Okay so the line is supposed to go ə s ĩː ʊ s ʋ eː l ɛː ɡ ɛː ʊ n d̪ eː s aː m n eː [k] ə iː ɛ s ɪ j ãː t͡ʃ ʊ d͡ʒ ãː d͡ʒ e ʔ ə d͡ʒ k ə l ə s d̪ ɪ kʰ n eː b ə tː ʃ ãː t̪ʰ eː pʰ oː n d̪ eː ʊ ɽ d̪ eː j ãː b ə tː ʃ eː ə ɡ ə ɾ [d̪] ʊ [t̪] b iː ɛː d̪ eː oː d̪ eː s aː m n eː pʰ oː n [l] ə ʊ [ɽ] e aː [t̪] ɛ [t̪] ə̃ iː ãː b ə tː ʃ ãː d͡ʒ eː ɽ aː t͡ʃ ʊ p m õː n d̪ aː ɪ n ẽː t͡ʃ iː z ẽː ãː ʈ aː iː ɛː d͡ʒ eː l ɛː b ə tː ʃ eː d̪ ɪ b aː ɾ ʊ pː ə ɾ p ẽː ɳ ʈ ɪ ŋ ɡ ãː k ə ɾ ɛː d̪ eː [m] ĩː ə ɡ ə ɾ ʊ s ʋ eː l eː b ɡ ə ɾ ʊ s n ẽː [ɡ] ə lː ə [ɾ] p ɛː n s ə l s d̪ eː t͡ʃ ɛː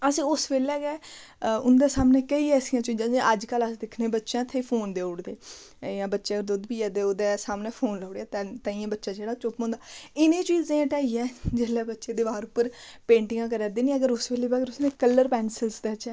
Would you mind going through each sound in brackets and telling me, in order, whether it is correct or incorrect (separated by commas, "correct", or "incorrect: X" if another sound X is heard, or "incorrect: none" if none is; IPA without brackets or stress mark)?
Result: correct, correct, incorrect: d̪, correct, correct, correct, correct, incorrect: n, incorrect: k, correct